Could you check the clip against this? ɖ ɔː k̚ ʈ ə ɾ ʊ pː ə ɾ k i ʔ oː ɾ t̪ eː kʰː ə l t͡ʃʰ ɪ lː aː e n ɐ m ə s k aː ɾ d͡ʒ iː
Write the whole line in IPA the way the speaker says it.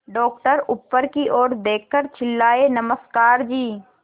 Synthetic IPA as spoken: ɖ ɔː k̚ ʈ ə ɾ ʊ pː ə ɾ k i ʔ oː ɾ d̪ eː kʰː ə ɾ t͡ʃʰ ɪ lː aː e n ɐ m ə s k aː ɾ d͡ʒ iː